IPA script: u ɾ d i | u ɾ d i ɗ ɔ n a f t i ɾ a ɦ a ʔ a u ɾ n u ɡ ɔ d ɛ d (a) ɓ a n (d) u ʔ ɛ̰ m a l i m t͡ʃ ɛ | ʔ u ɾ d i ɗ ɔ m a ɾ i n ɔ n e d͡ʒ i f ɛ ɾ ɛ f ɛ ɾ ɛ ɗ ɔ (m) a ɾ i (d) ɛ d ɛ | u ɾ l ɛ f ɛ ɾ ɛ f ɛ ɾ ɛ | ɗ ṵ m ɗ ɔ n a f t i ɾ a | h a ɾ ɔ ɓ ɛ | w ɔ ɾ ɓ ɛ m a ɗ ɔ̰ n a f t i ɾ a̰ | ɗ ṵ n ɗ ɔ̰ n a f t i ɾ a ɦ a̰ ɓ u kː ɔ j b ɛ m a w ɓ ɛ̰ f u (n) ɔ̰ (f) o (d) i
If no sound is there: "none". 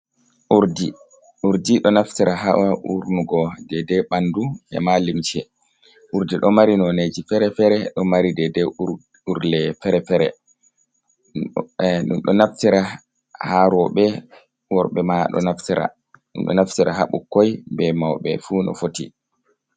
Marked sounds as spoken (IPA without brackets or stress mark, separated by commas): ɛ, d, m, d, n, f, t